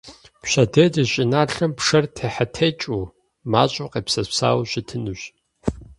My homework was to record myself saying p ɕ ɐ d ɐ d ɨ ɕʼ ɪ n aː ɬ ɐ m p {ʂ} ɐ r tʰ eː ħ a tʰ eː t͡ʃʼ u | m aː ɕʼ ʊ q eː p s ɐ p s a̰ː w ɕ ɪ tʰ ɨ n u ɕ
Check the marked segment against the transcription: correct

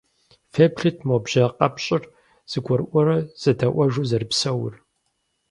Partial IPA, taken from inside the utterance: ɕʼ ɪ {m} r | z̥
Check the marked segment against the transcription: incorrect: none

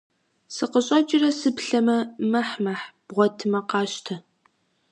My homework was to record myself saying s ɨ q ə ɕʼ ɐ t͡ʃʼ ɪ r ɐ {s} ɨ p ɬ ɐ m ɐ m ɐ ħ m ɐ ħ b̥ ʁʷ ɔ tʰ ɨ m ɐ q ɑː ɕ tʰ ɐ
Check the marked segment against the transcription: correct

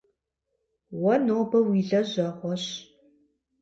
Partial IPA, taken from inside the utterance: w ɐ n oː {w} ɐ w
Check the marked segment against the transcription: incorrect: b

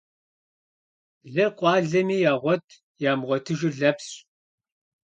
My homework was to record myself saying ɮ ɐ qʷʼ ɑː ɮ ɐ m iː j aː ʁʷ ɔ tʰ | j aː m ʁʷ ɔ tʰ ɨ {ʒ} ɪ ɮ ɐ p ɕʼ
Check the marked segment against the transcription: correct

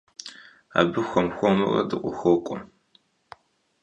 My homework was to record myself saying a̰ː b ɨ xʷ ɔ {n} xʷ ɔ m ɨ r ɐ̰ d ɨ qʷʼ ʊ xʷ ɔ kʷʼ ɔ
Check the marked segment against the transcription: incorrect: m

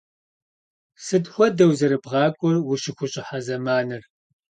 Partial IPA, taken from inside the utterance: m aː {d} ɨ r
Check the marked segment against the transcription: incorrect: n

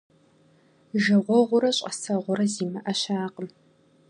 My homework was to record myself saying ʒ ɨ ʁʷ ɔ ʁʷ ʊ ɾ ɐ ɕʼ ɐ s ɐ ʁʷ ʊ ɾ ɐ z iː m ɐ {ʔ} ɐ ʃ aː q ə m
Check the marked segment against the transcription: correct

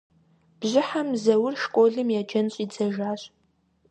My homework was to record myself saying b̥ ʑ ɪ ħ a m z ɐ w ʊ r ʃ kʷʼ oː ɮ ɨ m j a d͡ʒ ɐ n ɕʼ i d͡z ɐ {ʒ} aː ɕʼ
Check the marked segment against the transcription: correct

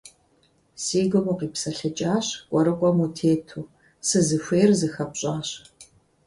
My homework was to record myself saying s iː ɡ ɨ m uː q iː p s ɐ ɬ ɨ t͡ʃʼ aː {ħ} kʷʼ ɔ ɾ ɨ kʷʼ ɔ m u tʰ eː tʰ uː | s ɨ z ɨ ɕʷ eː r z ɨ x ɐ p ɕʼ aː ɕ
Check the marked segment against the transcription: incorrect: ɕ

